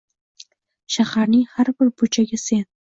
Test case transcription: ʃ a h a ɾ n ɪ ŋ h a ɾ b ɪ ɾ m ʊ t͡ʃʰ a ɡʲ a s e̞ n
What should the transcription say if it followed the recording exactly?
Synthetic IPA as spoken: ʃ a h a ɾ n ɪ ŋ h a ɾ b ɪ ɾ b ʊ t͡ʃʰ a ɡʲ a s e̞ n

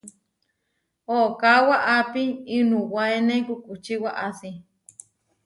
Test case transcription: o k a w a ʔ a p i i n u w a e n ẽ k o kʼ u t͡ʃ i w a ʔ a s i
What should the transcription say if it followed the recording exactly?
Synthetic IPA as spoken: o k a w a ʔ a p i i n u w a e n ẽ k u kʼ u t͡ʃ i w a ʔ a s i

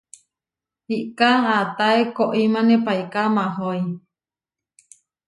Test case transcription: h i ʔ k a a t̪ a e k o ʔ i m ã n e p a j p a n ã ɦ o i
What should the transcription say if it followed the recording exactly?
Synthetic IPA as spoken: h i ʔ k a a t̪ a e k o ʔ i m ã n e p a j k a m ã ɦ o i

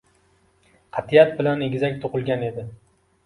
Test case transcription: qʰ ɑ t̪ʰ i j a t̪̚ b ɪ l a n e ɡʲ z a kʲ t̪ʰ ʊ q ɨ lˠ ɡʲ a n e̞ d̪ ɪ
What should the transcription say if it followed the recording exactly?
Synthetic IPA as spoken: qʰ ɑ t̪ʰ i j a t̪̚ b ɪ l a n e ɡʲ z a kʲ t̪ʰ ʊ q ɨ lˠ ɡʲ a n e̞ d̪ ɪ

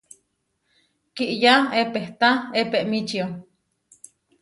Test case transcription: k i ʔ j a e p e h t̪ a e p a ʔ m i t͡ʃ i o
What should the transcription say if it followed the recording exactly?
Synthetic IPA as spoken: k i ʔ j a e p e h t̪ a e p e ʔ m i t͡ʃ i o

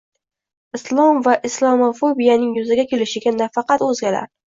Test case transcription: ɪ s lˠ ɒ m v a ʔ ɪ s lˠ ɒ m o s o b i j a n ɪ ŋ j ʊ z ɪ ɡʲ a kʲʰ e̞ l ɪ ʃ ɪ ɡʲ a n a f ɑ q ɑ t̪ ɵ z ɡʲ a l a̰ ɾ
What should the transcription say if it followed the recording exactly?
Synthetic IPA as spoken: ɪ s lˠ ɒ m v a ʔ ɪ s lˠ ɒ m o f o b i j a n ɪ ŋ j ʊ z ɪ ɡʲ a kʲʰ e̞ l ɪ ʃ ɪ ɡʲ a n a f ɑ q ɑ t̪ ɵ z ɡʲ a l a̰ ɾ

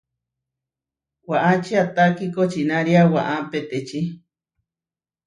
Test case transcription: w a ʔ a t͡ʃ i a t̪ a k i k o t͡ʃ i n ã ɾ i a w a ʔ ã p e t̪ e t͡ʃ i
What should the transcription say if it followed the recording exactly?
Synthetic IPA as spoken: w a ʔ a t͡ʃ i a t̪ a k i k o t͡ʃ i n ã ɾ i a w a ʔ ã p e t̪ e t͡ʃ i

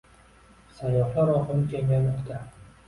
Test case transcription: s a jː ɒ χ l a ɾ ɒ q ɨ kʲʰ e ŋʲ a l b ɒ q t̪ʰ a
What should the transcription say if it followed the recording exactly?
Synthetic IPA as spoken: s a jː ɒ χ l a ɾ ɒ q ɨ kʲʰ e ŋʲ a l m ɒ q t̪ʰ a

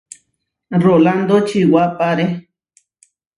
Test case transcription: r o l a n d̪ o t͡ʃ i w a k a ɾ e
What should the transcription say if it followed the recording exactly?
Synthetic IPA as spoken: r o l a n d̪ o t͡ʃ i w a p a ɾ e

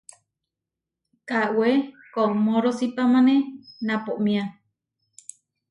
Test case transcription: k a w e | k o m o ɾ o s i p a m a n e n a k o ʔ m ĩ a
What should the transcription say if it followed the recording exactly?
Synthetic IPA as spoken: k a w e | k o m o ɾ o s i p a m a n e n a p o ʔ m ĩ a

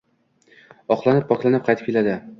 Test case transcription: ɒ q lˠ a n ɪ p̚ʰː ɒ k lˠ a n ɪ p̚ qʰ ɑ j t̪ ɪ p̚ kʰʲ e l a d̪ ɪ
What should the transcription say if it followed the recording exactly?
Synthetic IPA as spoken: ɒ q lˠ a n ɪ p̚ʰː ɒ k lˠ a n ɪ p̚ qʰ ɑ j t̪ ɪ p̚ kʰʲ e l a d̪ ɪ

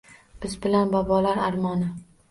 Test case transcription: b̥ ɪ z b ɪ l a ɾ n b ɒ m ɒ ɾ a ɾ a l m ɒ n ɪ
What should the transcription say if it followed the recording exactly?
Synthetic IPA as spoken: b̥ ɪ z b ɪ l a n b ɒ b ɒ l a ɾ a ɾ m ɒ n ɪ

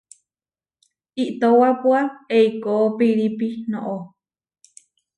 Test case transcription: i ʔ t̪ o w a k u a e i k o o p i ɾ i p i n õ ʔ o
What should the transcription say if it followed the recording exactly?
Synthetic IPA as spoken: i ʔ t̪ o w a p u a e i k o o p i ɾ i p i n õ ʔ o

